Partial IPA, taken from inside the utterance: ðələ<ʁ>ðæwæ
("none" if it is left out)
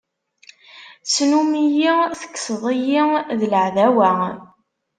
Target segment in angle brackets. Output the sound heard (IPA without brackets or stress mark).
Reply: ʕ